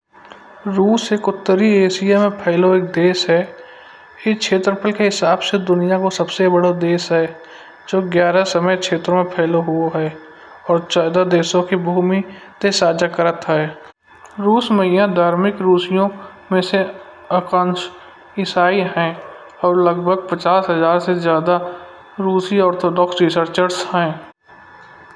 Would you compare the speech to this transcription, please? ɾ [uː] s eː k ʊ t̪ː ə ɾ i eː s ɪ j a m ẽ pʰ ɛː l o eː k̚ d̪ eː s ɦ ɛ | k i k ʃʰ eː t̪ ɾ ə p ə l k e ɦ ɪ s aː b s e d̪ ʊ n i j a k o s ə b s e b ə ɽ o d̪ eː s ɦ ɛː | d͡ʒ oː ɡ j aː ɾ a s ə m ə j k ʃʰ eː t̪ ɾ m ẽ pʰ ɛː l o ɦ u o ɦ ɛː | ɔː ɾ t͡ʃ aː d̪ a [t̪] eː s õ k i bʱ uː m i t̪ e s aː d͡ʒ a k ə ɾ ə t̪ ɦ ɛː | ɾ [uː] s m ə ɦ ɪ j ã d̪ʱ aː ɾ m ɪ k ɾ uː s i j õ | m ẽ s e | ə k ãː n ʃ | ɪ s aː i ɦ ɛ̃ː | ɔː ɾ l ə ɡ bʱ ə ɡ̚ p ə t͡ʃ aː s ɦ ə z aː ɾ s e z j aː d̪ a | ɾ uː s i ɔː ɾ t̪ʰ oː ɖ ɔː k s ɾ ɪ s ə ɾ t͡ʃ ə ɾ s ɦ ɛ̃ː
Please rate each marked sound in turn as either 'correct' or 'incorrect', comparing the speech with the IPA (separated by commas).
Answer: correct, incorrect, correct